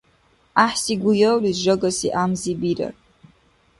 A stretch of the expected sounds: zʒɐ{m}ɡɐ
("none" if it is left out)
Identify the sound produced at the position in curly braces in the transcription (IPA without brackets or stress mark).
none